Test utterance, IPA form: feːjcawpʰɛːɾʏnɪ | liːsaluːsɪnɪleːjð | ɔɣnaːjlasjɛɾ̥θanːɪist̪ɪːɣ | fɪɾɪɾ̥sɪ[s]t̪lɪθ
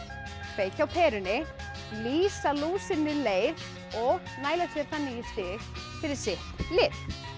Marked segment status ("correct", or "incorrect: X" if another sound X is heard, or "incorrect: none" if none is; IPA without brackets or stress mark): incorrect: h